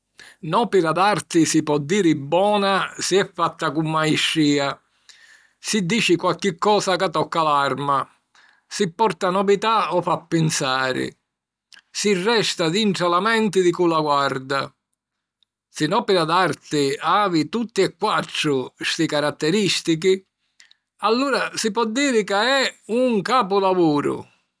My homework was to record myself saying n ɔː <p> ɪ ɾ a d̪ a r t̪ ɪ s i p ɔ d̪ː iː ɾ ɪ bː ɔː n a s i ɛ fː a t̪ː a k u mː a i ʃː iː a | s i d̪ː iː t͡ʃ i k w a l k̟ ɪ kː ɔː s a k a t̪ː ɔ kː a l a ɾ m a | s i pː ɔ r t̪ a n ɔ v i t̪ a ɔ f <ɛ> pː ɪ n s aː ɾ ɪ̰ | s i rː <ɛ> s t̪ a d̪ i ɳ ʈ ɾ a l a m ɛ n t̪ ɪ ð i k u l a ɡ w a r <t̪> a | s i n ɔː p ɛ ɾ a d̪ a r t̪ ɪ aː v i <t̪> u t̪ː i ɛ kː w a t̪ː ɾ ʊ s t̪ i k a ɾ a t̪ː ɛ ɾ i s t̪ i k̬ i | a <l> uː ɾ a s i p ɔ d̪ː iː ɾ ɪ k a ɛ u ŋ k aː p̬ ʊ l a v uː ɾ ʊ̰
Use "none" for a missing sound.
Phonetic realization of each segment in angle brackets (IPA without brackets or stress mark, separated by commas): p, a, ɛ, d̪, t̪, lː